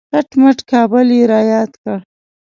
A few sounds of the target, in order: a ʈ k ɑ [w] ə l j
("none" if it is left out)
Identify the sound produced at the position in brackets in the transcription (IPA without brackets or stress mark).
b